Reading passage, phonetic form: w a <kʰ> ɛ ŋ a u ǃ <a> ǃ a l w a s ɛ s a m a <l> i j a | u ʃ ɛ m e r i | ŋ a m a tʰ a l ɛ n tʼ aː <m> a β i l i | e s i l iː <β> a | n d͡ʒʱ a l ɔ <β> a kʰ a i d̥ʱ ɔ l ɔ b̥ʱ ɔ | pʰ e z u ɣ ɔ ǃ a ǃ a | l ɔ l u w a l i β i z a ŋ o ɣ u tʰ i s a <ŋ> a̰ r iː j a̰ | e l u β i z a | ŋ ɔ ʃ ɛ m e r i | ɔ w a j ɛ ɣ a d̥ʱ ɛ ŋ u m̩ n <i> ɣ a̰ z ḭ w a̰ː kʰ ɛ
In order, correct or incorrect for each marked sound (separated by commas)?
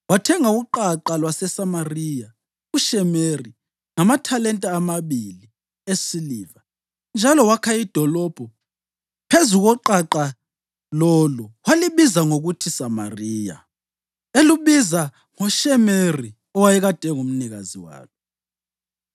incorrect, correct, incorrect, correct, incorrect, incorrect, incorrect, correct